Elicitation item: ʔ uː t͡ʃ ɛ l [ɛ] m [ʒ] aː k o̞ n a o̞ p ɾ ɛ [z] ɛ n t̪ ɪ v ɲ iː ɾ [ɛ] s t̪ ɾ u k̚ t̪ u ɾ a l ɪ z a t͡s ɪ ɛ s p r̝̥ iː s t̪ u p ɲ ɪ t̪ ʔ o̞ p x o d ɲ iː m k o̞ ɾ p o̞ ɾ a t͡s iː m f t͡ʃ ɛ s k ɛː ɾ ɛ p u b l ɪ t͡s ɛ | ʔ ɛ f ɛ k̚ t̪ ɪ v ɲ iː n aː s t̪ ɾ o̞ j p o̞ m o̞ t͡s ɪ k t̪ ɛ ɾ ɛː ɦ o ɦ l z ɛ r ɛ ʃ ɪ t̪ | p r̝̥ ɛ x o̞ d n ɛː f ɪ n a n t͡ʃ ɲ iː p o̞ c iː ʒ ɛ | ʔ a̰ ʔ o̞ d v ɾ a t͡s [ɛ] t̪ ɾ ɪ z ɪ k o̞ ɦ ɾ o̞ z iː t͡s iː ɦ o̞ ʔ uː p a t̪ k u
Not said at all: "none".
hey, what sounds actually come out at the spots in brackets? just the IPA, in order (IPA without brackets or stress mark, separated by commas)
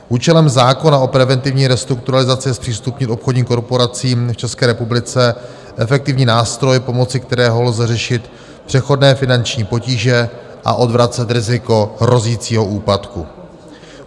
ɛ, z, v, ɛ, ɛ